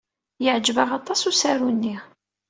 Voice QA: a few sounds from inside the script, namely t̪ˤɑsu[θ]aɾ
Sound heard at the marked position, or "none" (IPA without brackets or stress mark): s